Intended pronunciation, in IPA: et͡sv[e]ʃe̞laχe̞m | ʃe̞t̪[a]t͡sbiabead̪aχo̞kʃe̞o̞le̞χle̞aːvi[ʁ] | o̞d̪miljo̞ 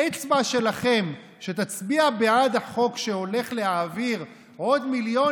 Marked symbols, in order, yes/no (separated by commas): no, yes, yes